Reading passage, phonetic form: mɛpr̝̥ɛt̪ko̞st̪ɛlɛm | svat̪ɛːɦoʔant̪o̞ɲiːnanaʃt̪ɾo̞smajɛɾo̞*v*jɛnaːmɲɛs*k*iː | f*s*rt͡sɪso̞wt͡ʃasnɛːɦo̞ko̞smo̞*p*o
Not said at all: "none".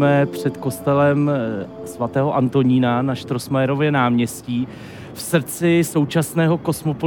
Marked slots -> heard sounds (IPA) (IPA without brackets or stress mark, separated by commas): v, c, s, p